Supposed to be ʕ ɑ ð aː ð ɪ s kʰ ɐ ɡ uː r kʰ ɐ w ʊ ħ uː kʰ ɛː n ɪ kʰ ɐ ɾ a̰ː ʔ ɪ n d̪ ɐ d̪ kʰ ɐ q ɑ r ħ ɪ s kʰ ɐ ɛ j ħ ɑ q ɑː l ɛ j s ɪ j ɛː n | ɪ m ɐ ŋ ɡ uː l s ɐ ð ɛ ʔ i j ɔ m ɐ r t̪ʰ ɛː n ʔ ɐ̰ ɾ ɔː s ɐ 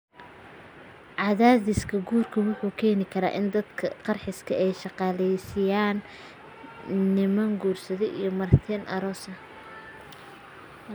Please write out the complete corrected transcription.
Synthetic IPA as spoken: ʕ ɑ ð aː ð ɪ s kʰ ɐ ɡ uː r kʰ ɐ w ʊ ħ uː kʰ ɛː n ɪ kʰ ɐ ɾ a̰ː ʔ ɪ n d̪ ɐ d̪ kʰ ɐ q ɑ r ħ ɪ s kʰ ɐ ɛ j ʃ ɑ q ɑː l ɛ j s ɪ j aː n | ɪ m ɐ ŋ ɡ uː r s ɐ ð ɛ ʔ i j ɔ m ɐ r t̪ʰ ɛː n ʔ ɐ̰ ɾ ɔː s ɐ